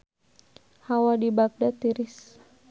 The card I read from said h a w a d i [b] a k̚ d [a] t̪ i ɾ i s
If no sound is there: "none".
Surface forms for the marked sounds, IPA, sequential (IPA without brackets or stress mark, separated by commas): b, a